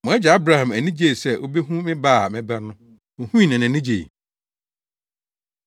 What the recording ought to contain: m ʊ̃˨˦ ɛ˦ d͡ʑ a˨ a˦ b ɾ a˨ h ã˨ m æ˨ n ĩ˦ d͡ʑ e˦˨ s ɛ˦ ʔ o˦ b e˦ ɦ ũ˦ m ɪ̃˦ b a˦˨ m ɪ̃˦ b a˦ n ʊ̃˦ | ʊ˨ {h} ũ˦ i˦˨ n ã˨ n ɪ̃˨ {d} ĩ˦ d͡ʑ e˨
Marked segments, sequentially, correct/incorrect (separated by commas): correct, incorrect